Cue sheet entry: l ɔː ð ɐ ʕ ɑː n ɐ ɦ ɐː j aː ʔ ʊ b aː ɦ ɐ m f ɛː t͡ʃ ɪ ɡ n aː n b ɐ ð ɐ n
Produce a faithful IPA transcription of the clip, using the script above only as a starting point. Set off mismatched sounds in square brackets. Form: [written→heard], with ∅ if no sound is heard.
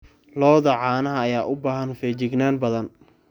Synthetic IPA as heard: l ɔː ð ɐ ʕ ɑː n ɐ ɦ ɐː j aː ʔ ʊ b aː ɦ ɐ [m→n] f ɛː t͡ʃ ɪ ɡ n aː n b ɐ ð ɐ n